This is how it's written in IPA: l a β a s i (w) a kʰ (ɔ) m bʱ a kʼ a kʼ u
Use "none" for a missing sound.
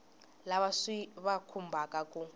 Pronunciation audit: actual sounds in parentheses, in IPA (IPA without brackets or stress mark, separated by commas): β, u